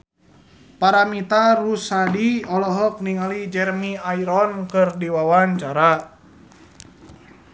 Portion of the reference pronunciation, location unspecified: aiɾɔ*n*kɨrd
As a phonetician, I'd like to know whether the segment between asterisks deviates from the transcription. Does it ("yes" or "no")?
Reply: no